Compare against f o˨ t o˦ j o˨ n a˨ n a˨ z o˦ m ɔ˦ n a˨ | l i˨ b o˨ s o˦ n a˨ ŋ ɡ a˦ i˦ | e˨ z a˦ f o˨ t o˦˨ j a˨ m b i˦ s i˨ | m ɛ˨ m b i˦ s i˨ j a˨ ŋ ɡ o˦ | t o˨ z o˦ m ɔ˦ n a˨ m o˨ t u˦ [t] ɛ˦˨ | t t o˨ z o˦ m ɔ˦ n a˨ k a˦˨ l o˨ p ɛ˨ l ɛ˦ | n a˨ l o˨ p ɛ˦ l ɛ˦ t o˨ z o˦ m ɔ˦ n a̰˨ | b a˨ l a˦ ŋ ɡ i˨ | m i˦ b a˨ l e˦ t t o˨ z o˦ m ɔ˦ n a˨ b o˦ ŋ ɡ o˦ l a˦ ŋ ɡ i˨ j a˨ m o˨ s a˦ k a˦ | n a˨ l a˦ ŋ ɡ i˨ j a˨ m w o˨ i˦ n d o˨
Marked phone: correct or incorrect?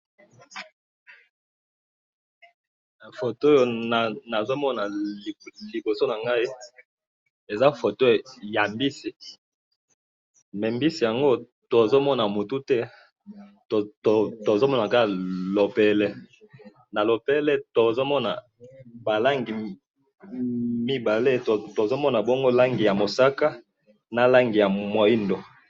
correct